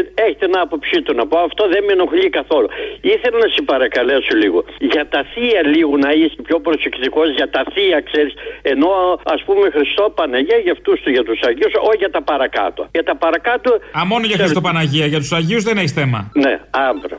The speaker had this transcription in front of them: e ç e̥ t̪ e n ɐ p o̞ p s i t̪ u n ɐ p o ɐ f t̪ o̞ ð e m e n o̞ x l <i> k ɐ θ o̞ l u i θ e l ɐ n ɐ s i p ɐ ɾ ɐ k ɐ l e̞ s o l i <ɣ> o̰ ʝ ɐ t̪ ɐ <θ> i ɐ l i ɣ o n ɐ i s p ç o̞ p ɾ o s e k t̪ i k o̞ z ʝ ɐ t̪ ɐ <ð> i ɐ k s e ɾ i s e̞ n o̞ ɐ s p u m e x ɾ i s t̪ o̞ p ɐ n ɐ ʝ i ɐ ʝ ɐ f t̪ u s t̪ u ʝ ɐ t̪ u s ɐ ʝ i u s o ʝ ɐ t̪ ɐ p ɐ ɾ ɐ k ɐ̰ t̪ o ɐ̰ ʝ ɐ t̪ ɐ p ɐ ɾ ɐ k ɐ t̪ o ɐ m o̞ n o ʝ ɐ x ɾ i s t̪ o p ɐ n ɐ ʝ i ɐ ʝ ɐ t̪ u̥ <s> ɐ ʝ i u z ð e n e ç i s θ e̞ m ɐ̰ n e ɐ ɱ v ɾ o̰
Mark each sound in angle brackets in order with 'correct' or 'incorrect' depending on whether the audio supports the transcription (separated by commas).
correct, correct, correct, incorrect, correct